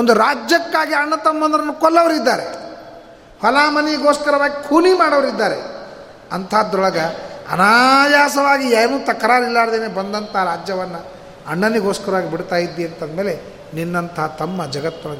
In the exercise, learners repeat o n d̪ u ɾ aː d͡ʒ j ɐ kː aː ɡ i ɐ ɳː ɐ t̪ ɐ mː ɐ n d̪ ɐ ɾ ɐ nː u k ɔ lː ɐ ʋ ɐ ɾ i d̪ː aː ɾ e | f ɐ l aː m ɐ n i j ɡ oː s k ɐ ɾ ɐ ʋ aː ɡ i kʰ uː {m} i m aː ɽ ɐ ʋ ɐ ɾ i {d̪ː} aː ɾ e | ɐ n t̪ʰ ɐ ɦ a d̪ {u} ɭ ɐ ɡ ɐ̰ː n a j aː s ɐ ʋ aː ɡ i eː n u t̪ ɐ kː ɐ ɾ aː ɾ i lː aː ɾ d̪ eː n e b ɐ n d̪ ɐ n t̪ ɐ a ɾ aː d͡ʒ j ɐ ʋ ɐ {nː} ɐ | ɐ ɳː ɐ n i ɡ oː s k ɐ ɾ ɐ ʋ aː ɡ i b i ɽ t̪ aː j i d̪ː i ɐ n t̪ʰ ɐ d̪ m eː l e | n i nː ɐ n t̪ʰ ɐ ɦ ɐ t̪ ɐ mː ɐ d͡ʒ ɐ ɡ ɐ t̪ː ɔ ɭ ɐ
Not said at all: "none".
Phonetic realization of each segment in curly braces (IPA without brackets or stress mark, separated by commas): n, d̪ː, ɔ, nː